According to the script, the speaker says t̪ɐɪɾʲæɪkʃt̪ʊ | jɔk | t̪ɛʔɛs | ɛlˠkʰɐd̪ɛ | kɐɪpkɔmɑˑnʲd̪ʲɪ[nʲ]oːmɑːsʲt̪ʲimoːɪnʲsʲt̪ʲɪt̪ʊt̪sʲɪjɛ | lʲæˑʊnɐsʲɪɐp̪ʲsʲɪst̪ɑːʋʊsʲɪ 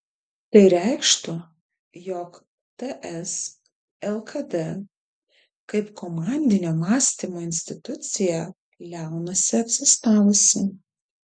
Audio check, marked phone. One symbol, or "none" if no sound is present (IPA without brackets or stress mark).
nʲ